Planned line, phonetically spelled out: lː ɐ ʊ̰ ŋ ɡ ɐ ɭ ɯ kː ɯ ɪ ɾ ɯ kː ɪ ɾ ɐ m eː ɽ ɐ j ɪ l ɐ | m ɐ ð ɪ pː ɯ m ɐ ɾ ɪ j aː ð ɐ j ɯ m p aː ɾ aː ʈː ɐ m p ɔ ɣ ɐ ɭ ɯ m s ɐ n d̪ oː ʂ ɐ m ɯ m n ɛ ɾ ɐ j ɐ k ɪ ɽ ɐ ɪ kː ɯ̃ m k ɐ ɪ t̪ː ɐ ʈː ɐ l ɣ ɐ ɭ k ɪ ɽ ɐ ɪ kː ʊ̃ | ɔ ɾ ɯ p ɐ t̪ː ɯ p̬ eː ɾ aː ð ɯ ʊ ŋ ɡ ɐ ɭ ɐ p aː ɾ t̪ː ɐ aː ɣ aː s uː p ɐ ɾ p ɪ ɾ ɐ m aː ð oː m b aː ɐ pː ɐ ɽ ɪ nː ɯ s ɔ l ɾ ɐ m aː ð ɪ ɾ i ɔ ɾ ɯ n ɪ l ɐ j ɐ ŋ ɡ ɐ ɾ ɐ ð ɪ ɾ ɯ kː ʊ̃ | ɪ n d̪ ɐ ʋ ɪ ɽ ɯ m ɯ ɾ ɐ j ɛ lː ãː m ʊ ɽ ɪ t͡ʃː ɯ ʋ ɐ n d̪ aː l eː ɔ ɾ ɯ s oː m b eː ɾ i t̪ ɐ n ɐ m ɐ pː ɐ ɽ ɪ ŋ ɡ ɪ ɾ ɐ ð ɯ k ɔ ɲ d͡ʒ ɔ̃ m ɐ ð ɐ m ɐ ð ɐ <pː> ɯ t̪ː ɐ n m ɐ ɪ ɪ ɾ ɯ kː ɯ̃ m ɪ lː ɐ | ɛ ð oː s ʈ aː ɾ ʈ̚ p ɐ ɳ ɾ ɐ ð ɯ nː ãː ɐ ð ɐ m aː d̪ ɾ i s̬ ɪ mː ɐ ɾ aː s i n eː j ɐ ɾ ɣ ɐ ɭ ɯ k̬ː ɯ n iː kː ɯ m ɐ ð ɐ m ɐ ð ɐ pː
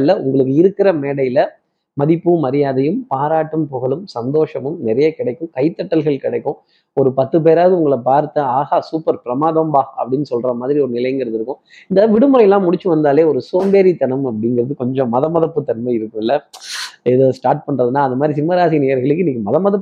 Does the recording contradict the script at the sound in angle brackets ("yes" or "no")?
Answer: no